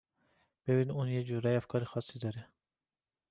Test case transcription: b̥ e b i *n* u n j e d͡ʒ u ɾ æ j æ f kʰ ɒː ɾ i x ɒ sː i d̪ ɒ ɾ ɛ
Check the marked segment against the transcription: correct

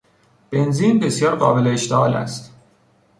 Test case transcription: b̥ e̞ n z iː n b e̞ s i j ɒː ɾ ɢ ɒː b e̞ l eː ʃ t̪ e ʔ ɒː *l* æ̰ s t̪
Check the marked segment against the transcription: correct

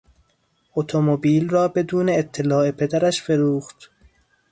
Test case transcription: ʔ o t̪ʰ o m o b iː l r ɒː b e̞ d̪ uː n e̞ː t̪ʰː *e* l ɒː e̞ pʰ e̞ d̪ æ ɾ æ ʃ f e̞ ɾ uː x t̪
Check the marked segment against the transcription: correct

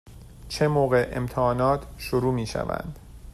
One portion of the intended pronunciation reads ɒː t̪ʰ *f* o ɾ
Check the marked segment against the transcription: incorrect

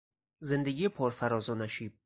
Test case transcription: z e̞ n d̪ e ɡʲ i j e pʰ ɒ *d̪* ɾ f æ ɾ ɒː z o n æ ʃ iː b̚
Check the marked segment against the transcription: incorrect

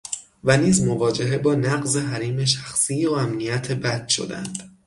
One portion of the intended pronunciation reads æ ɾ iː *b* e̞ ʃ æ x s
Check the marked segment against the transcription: incorrect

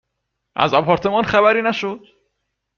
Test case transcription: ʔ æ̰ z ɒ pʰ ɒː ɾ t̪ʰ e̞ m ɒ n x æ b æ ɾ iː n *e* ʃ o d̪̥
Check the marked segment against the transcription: incorrect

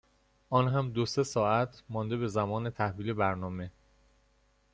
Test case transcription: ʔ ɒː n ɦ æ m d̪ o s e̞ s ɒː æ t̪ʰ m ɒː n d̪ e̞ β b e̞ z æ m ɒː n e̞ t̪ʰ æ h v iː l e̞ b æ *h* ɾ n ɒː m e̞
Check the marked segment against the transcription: incorrect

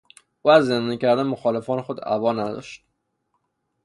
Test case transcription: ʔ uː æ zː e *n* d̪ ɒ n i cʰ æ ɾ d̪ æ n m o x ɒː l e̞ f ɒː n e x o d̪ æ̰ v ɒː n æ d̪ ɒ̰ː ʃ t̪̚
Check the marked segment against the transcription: correct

